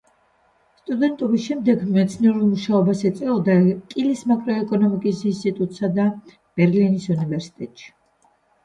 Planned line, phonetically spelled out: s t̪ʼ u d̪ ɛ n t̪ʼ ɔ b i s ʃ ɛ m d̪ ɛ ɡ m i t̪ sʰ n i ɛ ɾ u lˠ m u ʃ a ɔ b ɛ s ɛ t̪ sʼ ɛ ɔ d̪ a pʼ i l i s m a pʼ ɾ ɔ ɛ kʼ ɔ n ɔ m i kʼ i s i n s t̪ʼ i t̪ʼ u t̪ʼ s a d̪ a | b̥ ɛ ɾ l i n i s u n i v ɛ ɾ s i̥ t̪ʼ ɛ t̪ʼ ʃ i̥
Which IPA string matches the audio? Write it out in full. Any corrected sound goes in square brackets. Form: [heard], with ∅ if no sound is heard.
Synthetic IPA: s t̪ʼ u d̪ ɛ n t̪ʼ ɔ b i s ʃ ɛ m d̪ ɛ ɡ m [ɛ] t̪ sʰ n i ɛ ɾ u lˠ m u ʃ a ɔ b [a] s ɛ t̪ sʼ ɛ ɔ d̪ a [kʼ] i l i s m a [kʼ] ɾ ɔ ɛ kʼ ɔ n ɔ m i kʼ i s i n s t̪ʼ i t̪ʼ u t̪ʼ s a d̪ a | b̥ ɛ ɾ l i n i s u n i v ɛ ɾ s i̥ t̪ʼ ɛ t̪ʼ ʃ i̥